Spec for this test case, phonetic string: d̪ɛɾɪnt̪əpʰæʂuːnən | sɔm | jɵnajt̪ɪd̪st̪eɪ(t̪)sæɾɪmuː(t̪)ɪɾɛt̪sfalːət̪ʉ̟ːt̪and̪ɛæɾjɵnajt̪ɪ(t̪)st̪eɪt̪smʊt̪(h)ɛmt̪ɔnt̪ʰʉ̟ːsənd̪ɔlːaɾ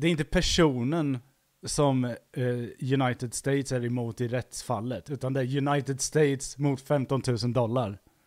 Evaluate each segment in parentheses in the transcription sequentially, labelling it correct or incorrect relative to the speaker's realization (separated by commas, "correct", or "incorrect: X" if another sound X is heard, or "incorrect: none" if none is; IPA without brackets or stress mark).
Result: correct, correct, incorrect: d̪, incorrect: f